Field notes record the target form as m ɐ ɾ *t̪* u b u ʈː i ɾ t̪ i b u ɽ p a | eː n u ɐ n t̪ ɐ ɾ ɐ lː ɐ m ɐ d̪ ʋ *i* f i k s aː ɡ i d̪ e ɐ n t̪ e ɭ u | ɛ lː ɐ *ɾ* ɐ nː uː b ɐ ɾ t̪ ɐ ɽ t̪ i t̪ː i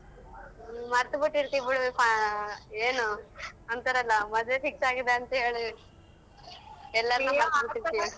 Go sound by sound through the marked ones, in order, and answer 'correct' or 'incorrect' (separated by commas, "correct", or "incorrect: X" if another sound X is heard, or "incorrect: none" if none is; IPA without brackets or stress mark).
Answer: correct, incorrect: e, correct